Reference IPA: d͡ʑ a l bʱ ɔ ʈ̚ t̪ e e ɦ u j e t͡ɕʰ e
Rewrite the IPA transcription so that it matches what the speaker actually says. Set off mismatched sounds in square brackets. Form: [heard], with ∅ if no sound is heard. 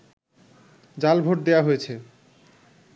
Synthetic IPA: d͡ʑ a l bʱ [o] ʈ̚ [d̪] e [a] ɦ [o] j e t͡ɕʰ e